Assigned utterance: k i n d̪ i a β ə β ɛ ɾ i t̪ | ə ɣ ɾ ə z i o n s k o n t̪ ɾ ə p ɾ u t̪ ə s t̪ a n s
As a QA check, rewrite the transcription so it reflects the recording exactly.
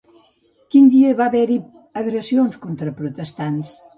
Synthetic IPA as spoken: k i n d̪ i ə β a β ɛ ɾ i | ə ɣ ɾ ə s i o n s k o n t̪ ɾ ə p ɾ u t̪ ə s t̪ a n s